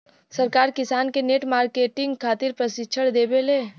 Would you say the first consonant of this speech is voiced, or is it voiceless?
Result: voiceless